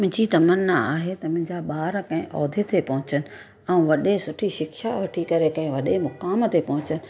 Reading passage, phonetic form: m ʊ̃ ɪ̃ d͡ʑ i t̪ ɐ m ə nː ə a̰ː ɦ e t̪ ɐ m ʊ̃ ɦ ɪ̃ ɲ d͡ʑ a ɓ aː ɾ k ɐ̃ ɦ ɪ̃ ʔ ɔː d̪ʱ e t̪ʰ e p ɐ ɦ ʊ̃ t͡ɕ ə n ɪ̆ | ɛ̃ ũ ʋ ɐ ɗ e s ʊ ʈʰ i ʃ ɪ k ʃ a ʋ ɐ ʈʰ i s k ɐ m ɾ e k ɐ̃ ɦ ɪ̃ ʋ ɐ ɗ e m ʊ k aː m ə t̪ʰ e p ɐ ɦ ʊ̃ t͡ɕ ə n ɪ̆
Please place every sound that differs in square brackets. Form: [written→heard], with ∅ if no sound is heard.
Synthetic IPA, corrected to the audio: m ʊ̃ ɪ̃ d͡ʑ i t̪ ɐ m ə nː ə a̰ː ɦ e t̪ ɐ m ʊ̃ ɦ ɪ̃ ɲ d͡ʑ a ɓ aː ɾ k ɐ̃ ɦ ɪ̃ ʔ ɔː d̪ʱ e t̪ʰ e p ɐ ɦ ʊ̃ t͡ɕ ə n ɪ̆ | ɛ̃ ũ ʋ ɐ ɗ e s ʊ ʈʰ i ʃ ɪ k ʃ a ʋ ɐ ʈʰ i [s→∅] k ɐ [m→∅] ɾ e k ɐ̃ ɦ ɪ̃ ʋ ɐ ɗ e m ʊ k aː m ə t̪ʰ e p ɐ ɦ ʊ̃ t͡ɕ ə n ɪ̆